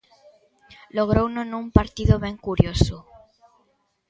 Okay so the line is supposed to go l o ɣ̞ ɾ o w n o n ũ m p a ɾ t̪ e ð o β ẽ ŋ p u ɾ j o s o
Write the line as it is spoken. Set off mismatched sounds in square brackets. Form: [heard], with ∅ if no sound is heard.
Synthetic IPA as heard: l o ɣ̞ ɾ o w n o n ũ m p a ɾ t̪ [i] ð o β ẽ ŋ [k] u ɾ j o s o